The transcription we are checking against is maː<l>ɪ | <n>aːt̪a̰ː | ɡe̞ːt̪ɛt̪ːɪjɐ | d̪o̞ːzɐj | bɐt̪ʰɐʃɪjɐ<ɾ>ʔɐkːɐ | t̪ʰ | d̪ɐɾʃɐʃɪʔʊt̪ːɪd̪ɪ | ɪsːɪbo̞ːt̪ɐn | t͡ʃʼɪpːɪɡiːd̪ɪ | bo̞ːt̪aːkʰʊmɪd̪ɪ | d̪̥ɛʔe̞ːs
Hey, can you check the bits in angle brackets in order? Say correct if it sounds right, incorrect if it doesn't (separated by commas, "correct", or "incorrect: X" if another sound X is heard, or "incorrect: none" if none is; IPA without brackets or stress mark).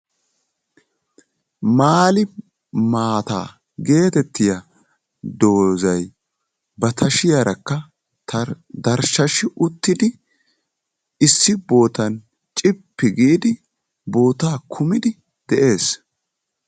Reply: correct, incorrect: m, correct